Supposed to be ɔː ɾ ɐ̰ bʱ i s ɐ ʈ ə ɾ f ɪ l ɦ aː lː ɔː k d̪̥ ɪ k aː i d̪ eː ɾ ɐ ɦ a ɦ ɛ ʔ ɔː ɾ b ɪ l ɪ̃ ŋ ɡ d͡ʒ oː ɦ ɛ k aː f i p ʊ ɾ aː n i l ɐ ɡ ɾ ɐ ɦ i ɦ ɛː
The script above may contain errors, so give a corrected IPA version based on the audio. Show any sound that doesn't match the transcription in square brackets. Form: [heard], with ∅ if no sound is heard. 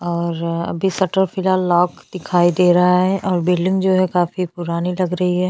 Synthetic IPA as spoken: ɔː ɾ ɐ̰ bʱ i s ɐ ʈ ə ɾ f ɪ l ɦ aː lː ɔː k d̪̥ ɪ [kʰ] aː i d̪ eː ɾ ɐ ɦ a ɦ ɛ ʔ ɔː ɾ b ɪ l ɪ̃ ŋ ɡ d͡ʒ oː ɦ ɛ k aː f i p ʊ ɾ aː n i l ɐ ɡ ɾ ɐ ɦ i ɦ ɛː